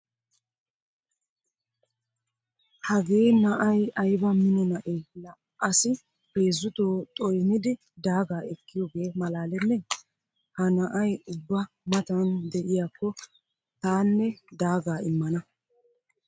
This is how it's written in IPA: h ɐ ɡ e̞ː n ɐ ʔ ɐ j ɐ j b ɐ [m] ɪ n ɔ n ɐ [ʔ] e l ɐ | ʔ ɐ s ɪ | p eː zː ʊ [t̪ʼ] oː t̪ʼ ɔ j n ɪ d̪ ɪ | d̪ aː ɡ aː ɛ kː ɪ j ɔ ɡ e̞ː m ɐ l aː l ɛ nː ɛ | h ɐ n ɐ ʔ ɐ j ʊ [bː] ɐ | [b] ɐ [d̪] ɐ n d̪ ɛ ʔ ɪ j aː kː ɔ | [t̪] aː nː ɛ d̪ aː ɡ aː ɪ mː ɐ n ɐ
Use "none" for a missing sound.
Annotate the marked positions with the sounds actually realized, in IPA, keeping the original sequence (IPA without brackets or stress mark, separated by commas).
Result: m, ʔ, t̪, bː, m, t̪, t̪